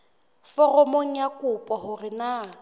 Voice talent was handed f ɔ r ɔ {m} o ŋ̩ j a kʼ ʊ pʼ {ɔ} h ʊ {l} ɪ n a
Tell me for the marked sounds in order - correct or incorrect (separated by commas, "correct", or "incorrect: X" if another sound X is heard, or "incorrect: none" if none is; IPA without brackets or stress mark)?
correct, correct, incorrect: r